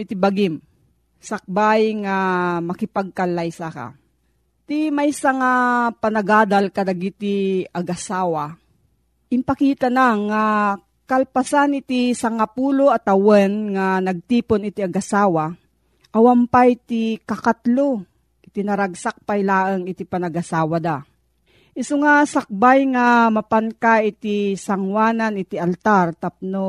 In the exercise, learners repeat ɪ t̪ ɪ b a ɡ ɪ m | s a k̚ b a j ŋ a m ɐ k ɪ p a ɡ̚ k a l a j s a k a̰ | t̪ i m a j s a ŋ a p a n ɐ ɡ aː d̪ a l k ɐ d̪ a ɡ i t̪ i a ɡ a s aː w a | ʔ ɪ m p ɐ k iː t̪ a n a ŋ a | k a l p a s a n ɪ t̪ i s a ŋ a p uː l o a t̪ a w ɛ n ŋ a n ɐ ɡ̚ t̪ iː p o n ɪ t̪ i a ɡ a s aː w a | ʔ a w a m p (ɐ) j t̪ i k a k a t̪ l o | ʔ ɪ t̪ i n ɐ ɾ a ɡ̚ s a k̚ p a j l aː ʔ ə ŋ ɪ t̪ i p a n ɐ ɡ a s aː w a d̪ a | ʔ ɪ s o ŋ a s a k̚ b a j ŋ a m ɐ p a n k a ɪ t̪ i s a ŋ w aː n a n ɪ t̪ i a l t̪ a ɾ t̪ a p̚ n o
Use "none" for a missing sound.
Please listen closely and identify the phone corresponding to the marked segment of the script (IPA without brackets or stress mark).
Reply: a